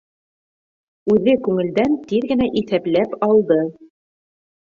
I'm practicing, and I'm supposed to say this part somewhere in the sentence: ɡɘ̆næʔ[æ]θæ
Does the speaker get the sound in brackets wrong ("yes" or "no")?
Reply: yes